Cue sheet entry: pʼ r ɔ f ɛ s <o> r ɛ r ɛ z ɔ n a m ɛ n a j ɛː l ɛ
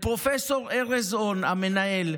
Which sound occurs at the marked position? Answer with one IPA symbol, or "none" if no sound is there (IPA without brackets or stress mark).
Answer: ɔ